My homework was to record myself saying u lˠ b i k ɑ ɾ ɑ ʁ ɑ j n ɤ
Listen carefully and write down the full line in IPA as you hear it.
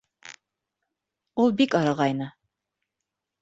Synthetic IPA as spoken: u lˠ b i k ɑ ɾ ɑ ʁ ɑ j n ɤ